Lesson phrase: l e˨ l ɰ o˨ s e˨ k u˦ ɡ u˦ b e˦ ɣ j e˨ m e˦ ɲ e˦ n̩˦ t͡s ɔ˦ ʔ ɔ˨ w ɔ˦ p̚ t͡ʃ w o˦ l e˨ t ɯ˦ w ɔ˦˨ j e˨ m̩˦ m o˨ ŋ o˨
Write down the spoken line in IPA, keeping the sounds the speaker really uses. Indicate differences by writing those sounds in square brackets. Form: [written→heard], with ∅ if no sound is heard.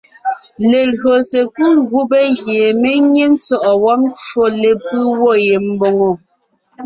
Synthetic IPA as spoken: l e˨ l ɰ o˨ s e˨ k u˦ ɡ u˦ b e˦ ɣ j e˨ m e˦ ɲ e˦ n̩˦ t͡s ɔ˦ ʔ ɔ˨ w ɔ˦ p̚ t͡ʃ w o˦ l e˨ [t→p] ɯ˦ w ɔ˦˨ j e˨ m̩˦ [m→b] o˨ ŋ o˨

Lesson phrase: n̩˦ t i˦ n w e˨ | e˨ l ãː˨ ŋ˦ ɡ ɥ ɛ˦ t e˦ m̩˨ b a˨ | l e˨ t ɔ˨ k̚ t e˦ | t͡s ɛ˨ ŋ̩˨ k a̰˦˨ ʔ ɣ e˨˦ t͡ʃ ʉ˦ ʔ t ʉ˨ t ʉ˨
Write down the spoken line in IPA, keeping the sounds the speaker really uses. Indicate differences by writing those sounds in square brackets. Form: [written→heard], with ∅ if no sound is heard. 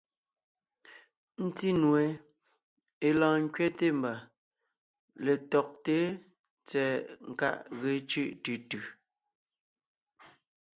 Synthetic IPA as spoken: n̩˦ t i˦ n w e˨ | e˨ l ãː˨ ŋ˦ [ɡ→k] ɥ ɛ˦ t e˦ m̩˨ b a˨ | l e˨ t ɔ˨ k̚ t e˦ | t͡s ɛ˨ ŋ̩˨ k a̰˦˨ ʔ ɣ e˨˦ t͡ʃ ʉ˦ ʔ t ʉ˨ t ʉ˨

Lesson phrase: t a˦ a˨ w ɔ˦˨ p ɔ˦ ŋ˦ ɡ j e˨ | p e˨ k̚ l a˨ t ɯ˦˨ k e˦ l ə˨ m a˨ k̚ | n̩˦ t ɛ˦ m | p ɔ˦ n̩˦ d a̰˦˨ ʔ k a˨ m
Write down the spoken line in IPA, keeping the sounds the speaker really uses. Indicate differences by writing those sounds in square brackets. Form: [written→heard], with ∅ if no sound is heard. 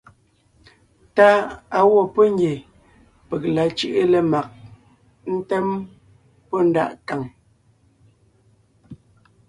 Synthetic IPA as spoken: t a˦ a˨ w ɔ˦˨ p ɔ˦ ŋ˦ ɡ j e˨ | p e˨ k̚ l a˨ [t→t͡ʃ] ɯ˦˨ [k→ʔ] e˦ l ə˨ m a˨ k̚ | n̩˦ t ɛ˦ m | p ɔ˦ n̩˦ d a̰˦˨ ʔ k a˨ [m→ŋ]

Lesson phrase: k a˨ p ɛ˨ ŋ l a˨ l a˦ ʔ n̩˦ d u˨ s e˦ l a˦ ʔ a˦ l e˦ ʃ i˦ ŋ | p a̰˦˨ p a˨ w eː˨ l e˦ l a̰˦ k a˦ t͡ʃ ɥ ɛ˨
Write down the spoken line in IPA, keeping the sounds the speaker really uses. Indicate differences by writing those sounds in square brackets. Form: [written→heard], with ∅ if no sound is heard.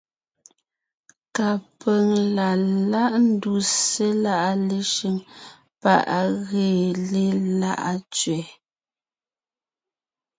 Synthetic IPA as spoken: k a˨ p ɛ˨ ŋ l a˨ l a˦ ʔ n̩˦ d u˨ s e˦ l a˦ ʔ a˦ l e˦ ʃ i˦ ŋ | p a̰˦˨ [p→ʔ] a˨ [w→ɣ] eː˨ l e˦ l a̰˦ [k→ʔ] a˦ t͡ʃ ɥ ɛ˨

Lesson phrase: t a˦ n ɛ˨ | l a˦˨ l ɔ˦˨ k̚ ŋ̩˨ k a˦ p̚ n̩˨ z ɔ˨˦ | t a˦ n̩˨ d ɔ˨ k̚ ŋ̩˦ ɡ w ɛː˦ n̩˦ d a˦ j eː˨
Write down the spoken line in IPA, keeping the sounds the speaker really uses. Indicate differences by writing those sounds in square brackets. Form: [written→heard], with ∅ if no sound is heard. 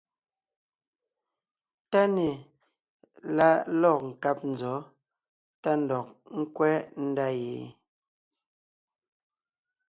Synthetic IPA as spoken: t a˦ n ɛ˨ | l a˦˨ l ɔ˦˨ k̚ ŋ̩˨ k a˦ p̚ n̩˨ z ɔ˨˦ | t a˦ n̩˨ d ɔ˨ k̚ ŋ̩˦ [ɡ→k] w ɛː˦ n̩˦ d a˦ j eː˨

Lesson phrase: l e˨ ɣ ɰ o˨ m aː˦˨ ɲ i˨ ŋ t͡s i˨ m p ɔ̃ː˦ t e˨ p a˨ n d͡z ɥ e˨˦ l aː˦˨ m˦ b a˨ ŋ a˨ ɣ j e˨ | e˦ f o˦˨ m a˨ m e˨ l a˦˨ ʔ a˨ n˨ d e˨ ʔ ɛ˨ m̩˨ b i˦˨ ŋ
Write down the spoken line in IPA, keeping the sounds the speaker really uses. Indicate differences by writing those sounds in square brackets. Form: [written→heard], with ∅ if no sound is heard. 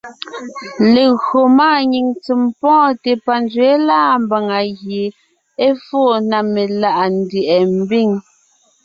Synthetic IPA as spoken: l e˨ ɣ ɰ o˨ m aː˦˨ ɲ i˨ ŋ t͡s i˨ m p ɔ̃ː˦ t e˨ p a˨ n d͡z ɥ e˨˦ l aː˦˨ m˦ b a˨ ŋ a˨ ɣ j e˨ | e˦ f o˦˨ [m→n] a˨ m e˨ l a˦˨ ʔ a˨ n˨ d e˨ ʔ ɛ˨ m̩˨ b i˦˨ ŋ

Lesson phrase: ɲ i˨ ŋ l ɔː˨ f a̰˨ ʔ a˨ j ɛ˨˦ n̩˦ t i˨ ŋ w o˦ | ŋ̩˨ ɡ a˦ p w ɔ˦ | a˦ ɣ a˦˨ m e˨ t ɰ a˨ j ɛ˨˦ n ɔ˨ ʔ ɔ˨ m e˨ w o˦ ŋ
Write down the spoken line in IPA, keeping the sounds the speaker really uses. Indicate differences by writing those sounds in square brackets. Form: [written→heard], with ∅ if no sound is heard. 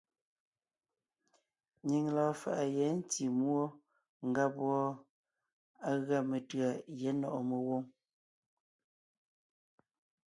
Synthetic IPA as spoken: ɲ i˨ ŋ l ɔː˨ f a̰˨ ʔ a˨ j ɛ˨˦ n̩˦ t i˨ [ŋ→m] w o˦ | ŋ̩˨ ɡ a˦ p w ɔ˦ | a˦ ɣ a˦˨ m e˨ t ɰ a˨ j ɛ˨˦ n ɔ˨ ʔ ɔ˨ m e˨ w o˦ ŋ

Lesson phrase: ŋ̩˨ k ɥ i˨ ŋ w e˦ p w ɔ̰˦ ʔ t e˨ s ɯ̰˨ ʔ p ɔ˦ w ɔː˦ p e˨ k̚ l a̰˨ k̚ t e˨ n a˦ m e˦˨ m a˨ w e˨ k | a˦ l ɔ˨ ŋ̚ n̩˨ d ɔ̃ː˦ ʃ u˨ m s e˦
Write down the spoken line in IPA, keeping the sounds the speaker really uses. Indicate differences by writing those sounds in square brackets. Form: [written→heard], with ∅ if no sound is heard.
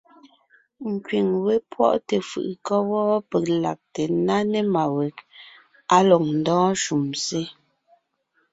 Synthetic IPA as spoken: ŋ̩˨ k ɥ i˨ ŋ w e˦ p w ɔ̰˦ ʔ t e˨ [s→f] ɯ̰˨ ʔ [p→k] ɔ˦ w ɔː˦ p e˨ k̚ l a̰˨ k̚ t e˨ n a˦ [m→n] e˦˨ m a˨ w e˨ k | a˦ l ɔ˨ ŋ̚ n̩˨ d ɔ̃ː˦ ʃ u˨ m s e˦

